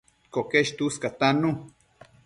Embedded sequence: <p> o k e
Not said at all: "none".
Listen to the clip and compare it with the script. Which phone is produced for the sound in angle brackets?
k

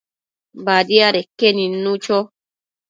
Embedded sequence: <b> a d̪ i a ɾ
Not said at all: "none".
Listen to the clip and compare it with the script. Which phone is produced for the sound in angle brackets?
b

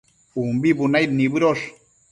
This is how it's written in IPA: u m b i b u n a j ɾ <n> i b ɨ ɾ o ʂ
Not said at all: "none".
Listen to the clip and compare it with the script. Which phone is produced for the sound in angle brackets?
n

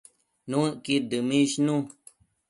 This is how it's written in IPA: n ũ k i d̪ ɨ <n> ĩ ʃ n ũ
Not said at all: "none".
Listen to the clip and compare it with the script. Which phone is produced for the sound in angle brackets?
m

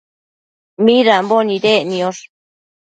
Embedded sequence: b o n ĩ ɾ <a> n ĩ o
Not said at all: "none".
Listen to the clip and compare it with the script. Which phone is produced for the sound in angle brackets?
e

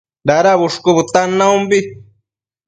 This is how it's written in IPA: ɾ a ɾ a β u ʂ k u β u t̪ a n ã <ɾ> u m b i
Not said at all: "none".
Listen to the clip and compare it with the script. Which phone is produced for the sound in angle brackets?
none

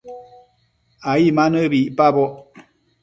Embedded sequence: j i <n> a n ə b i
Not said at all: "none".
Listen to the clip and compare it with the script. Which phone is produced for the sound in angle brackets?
m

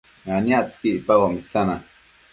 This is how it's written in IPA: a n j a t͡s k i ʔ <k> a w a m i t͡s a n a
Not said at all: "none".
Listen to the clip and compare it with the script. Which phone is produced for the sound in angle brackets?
p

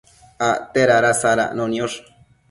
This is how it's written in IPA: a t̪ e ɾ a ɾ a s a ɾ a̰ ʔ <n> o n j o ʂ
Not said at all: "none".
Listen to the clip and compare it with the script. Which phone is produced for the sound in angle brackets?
n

